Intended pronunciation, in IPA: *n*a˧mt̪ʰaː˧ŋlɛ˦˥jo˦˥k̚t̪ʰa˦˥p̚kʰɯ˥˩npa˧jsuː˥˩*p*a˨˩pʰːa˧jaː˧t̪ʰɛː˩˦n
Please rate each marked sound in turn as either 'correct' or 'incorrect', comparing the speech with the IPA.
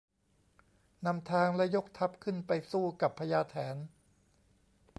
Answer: correct, incorrect: k

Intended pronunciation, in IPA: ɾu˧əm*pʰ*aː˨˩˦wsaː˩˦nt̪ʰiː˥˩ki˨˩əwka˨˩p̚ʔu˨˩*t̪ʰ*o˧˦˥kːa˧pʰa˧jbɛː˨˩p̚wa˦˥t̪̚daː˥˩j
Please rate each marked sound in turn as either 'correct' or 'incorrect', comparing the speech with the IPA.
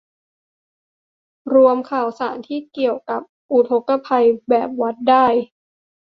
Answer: incorrect: kʰ, correct

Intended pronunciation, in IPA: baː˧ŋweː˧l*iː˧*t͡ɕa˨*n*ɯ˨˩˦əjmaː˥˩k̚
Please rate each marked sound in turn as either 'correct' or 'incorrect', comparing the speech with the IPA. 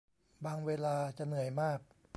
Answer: incorrect: aː˧, correct

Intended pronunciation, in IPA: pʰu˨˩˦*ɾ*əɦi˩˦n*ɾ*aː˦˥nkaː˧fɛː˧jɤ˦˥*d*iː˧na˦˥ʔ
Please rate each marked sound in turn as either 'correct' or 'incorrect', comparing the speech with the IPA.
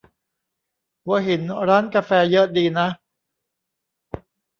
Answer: incorrect: none, correct, correct

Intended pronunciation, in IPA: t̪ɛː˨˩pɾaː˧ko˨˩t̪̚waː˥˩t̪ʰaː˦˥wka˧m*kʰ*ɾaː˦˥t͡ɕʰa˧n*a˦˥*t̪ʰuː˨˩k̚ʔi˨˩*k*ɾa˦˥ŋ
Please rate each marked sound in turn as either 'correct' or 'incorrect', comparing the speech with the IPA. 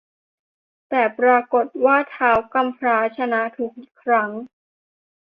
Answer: incorrect: pʰ, correct, incorrect: kʰ

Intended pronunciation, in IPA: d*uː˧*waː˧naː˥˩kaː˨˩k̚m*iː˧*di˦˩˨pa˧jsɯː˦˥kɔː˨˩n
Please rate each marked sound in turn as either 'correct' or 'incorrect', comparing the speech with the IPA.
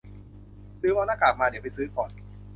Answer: incorrect: ɯː˧, incorrect: aː˧

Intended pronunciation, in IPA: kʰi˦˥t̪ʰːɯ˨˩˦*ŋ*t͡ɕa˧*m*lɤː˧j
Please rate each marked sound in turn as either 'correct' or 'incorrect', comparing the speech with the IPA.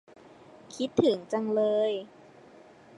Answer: correct, incorrect: ŋ

